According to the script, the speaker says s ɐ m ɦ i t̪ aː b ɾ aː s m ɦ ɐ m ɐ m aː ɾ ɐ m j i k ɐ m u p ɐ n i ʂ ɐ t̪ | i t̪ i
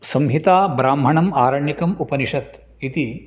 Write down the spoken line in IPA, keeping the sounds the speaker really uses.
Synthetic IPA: s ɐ m ɦ i t̪ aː b ɾ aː m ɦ ɐ ɳ ɐ m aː ɾ ɐ ɳ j i k ɐ m u p ɐ n i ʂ ɐ t̪ | i t̪ i